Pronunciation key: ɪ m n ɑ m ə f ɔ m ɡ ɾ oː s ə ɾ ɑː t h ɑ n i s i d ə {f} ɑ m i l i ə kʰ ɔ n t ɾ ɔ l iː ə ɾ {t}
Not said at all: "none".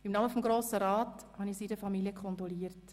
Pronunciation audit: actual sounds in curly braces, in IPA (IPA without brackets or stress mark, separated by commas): f, t